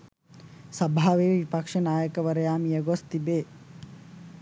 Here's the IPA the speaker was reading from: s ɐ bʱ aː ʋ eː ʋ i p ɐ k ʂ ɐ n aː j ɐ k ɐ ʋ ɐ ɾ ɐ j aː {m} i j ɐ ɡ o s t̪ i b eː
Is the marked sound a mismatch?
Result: no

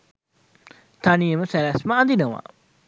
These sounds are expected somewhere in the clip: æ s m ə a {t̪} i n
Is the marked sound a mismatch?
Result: yes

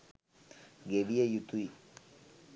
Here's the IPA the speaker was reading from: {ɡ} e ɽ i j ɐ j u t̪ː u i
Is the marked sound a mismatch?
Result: no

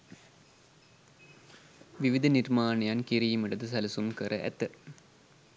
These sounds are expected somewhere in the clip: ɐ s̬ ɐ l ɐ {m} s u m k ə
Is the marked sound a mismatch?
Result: yes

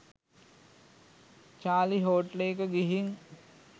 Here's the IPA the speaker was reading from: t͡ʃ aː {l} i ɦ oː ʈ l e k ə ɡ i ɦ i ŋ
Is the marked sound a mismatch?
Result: no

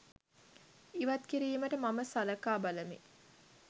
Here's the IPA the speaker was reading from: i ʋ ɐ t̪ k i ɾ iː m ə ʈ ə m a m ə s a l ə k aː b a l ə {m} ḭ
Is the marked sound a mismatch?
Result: no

